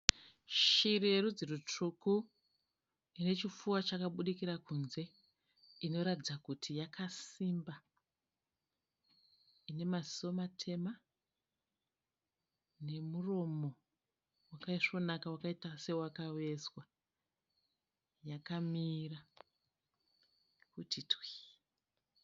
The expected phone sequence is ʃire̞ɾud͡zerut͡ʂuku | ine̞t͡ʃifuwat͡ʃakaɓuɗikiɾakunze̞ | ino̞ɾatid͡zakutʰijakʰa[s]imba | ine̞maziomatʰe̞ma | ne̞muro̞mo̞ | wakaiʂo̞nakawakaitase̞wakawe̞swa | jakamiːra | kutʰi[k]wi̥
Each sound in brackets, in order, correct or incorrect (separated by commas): correct, incorrect